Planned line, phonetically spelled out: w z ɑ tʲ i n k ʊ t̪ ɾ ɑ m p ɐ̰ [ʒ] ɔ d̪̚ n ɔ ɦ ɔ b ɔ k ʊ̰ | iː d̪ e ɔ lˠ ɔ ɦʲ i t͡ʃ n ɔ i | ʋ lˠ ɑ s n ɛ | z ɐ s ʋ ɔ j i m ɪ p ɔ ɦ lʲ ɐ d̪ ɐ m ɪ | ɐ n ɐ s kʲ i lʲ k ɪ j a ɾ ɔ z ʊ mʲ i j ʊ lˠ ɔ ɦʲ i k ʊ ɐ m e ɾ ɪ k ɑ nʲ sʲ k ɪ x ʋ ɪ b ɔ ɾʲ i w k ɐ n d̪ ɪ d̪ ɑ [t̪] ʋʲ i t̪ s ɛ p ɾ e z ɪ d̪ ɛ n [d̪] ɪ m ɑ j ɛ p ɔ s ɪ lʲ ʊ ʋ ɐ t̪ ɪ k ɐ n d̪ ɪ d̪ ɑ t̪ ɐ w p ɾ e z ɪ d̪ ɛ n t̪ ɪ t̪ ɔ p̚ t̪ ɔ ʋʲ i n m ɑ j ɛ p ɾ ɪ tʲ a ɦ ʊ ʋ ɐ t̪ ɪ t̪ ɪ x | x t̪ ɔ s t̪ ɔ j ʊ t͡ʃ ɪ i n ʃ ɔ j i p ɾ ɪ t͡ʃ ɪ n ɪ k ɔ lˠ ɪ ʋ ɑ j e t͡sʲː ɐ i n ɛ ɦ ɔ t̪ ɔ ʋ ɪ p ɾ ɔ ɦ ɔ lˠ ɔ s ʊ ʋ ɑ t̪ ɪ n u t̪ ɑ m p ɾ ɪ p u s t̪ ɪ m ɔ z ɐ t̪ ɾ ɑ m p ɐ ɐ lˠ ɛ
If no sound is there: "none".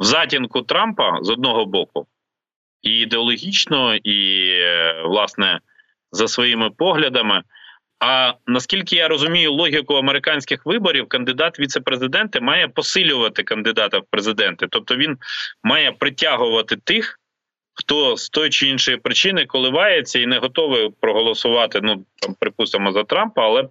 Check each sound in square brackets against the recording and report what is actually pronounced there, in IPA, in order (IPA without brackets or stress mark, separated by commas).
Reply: z, t̪, t̪